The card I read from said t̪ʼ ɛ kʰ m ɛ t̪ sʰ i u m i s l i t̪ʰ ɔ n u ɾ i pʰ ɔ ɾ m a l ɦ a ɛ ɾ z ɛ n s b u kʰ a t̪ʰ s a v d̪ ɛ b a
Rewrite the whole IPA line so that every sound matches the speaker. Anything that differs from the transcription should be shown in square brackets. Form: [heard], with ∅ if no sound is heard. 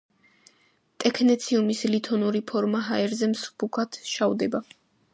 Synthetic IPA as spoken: t̪ʼ ɛ kʰ [n] ɛ t̪ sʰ i u m i s l i t̪ʰ ɔ n u ɾ i pʰ ɔ ɾ m a [∅] ɦ a ɛ ɾ z ɛ [m] s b u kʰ a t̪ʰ [ʃ] a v d̪ ɛ b a

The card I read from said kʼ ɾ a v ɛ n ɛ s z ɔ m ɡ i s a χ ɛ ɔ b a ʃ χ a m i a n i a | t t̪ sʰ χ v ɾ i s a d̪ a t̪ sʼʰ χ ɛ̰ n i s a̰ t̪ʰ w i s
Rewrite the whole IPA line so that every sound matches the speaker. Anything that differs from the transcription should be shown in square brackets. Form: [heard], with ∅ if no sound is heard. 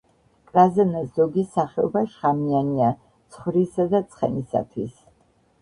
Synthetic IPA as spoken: kʼ ɾ a [z] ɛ n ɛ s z ɔ [∅] ɡ i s a χ ɛ ɔ b a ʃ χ a m i a n i a | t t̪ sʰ χ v ɾ i s a d̪ a t̪ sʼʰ χ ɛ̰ n i s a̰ t̪ʰ w i s

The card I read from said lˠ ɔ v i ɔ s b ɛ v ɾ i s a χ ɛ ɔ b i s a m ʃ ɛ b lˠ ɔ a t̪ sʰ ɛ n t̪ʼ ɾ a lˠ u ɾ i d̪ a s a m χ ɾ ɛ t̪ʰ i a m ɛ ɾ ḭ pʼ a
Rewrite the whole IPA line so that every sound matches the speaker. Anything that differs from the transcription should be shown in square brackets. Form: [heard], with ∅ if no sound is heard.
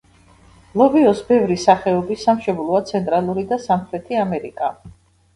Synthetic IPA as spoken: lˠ ɔ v i ɔ s b ɛ v ɾ i s a χ ɛ ɔ b i s a m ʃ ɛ b lˠ ɔ a t̪ sʰ ɛ n t̪ʼ ɾ a lˠ u ɾ i d̪ a s a m χ ɾ ɛ t̪ʰ i a m ɛ ɾ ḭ [kʼ] a

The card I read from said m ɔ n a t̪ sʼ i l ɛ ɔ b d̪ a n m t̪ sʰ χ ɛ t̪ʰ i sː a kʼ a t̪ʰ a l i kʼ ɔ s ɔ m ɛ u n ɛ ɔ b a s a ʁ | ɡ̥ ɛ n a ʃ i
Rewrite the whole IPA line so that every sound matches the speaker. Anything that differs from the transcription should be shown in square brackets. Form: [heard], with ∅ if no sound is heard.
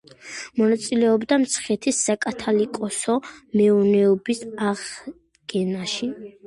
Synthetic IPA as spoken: m ɔ n a t̪ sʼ i l ɛ ɔ b d̪ a [∅] m t̪ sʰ χ ɛ t̪ʰ i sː a kʼ a t̪ʰ a l i kʼ ɔ s ɔ m ɛ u n ɛ ɔ b [i] s a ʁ | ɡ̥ ɛ n a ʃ i

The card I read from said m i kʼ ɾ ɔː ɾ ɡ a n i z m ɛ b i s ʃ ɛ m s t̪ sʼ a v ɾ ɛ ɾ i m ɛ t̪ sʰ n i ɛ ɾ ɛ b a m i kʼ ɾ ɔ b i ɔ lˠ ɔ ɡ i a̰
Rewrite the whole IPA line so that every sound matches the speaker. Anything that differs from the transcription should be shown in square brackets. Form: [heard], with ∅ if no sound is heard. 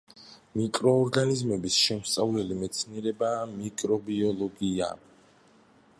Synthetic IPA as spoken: m i kʼ ɾ ɔː ɾ ɡ a n i z m ɛ b i s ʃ ɛ m s t̪ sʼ a v [l] ɛ [l] i m ɛ t̪ sʰ n i ɛ ɾ ɛ b a m i kʼ ɾ ɔ b i ɔ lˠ ɔ ɡ i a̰

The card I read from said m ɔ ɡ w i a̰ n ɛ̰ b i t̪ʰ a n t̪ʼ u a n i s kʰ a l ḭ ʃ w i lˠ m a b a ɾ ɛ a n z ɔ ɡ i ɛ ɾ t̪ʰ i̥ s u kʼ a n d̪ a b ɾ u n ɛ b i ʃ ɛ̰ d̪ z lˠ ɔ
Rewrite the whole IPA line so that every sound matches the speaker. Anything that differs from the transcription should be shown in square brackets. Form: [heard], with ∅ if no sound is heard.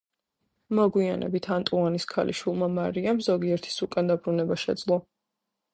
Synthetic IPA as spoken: m ɔ ɡ w i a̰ n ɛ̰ b i t̪ʰ a n t̪ʼ u a n i s kʰ a l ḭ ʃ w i lˠ m a [m] a ɾ [i] a [m] z ɔ ɡ i ɛ ɾ t̪ʰ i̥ s u kʼ a n d̪ a b ɾ u n ɛ b [a] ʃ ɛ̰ d̪ z lˠ ɔ

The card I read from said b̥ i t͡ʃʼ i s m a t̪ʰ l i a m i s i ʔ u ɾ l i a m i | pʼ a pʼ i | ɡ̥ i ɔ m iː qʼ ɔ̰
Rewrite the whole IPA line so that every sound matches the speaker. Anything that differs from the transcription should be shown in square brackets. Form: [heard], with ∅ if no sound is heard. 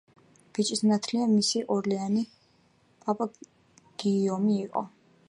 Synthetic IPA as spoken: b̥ i t͡ʃʼ i s [n] a t̪ʰ l i a m i s i ʔ [ɔ] ɾ l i a [n] i | pʼ a pʼ [a] | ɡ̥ i ɔ m iː qʼ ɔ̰

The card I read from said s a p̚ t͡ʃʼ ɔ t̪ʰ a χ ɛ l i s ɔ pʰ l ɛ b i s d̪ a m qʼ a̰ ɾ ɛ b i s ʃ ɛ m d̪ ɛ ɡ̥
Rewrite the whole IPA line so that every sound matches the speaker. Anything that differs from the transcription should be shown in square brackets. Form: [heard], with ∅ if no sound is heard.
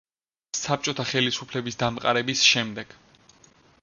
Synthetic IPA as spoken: s a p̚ t͡ʃʼ ɔ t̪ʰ a χ ɛ l i s [u] pʰ l ɛ b i s d̪ a m qʼ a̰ ɾ ɛ b i s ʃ ɛ m d̪ ɛ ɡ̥

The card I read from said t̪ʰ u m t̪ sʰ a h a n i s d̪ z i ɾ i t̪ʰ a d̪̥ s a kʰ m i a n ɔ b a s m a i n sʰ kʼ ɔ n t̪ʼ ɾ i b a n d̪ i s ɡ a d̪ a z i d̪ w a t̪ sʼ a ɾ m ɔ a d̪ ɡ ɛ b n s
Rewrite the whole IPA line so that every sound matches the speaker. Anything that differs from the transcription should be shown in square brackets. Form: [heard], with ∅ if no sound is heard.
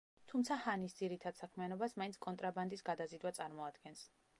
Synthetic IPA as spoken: t̪ʰ u m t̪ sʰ a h a n i s d̪ z i ɾ i t̪ʰ a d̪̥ s a kʰ m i a n ɔ b a s m a i n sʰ kʼ ɔ n t̪ʼ ɾ [a] b a n d̪ i s ɡ a d̪ a z i d̪ w a t̪ sʼ a ɾ m ɔ a d̪ ɡ ɛ [∅] n s

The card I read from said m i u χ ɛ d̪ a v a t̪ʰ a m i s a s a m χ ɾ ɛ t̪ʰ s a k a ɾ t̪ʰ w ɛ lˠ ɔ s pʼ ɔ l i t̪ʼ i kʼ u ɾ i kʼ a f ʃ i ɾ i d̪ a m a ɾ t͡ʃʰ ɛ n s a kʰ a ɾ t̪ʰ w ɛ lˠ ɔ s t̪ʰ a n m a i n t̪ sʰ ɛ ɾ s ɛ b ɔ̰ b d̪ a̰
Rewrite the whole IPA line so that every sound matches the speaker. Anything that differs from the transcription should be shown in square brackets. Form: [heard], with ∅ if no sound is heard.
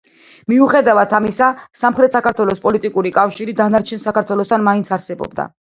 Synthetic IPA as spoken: m i u χ ɛ d̪ a v a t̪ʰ a m i s a s a m χ ɾ ɛ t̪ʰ s a k a ɾ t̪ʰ w ɛ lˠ ɔ s pʼ ɔ l i t̪ʼ i kʼ u ɾ i kʼ a f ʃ i ɾ i d̪ a [n] a ɾ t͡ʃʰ ɛ n s a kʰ a ɾ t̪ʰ w ɛ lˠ ɔ s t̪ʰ a n m a i n t̪ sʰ [a] ɾ s ɛ b ɔ̰ b d̪ a̰

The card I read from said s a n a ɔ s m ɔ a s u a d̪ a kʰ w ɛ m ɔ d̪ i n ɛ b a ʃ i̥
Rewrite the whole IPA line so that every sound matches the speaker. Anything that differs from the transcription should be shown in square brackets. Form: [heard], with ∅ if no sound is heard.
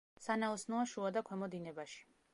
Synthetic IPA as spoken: s a n a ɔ s [n] ɔ a [ʃ] u a d̪ a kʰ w ɛ m ɔ d̪ i n ɛ b a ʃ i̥

